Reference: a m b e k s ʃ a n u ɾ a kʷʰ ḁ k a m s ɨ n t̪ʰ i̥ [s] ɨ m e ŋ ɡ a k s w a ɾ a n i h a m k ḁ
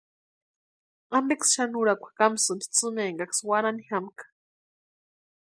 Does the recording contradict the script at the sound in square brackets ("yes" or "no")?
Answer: yes